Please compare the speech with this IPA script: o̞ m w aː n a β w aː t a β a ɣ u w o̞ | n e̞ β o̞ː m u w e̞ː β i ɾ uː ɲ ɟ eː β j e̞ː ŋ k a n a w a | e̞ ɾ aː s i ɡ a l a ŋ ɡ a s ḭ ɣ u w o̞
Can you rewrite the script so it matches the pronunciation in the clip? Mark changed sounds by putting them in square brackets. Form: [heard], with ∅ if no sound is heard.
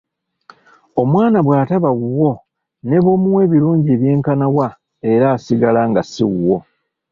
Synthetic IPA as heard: o̞ m w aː n a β w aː t a β a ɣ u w o̞ | n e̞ β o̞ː m u w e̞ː β i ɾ uː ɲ ɟ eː β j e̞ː ŋ k a n a w a | e̞ ɾ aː s i ɡ a l a ŋ ɡ a s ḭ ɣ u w o̞